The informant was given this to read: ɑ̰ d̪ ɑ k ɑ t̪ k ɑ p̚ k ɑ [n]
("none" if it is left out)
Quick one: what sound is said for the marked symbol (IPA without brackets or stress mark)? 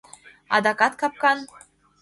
n